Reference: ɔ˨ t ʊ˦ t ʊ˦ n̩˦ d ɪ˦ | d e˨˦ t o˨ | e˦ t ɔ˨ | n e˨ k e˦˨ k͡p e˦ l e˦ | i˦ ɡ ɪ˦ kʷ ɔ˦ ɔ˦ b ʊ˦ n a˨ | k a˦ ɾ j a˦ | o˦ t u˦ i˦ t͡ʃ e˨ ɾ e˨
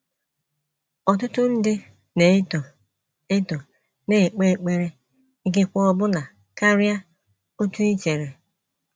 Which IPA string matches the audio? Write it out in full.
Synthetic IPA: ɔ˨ t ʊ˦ t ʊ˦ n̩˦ d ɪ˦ | n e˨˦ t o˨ | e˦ t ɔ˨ | n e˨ k͡p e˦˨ k͡p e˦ ɾ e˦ | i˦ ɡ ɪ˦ kʷ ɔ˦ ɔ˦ b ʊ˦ n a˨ | k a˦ ɾ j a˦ | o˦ t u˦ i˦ t͡ʃ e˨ ɾ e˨